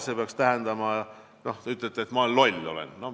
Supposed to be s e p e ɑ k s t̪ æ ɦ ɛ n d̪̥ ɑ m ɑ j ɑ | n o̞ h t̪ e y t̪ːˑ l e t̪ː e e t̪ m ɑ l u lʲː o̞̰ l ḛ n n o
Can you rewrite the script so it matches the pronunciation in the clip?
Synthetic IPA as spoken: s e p e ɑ k s t̪ æ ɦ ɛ n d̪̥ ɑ m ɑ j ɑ | n o̞ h t̪ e y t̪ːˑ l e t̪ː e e t̪ m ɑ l o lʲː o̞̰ l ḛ n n o